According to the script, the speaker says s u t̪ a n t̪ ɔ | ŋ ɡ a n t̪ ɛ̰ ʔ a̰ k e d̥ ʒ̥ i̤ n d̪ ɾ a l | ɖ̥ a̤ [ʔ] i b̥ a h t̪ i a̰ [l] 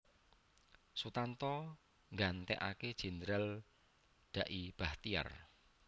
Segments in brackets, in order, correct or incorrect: correct, incorrect

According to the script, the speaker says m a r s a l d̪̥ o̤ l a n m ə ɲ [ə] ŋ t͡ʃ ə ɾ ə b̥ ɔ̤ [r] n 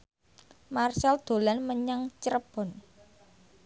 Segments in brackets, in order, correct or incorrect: incorrect, incorrect

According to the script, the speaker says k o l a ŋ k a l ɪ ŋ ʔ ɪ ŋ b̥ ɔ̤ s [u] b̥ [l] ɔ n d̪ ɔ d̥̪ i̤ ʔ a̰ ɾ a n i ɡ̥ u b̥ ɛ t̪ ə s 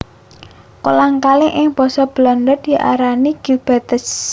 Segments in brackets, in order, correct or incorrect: incorrect, correct

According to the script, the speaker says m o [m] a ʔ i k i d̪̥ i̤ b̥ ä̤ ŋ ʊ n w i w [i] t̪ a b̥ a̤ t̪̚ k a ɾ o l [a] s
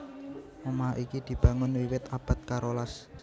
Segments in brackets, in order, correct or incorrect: correct, incorrect, correct

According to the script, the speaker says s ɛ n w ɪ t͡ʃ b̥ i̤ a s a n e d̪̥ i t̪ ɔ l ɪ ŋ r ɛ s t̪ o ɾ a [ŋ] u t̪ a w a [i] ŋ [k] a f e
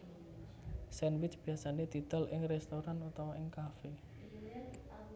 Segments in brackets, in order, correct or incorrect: incorrect, incorrect, correct

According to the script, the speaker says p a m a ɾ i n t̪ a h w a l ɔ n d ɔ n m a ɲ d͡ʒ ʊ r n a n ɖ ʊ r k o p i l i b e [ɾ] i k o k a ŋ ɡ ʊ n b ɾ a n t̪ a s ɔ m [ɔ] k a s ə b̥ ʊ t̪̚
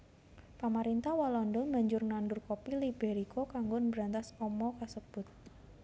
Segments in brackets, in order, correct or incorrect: correct, correct

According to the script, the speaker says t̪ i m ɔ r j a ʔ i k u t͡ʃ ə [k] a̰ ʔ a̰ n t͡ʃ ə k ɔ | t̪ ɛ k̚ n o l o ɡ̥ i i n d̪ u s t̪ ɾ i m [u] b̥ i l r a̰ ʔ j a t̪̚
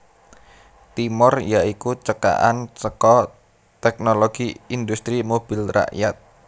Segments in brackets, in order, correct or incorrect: correct, incorrect

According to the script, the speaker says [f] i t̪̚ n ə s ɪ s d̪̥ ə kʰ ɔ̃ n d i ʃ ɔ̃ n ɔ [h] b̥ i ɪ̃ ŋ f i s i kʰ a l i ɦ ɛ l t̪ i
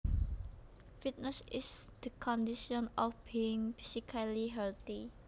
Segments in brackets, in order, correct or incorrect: correct, incorrect

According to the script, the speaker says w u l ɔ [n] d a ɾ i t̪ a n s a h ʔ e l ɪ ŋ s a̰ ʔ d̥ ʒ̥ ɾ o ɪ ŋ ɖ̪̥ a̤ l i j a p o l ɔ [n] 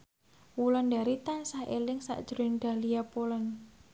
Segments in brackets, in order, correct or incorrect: correct, correct

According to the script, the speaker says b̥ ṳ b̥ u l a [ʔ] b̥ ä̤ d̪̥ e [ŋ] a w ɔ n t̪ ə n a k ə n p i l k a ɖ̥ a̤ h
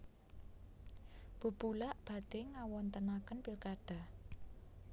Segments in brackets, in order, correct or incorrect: correct, correct

